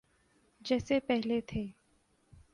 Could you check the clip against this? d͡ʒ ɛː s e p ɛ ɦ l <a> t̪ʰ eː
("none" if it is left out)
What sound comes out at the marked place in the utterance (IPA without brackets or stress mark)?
e